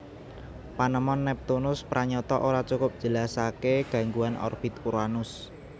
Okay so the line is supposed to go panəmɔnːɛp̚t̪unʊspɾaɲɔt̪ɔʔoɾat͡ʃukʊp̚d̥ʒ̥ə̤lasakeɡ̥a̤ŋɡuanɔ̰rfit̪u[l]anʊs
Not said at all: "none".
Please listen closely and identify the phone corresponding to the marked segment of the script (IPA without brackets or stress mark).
ɾ